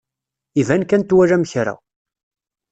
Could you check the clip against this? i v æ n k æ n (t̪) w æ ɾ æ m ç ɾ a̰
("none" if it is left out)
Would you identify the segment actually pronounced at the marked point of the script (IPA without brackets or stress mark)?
t̪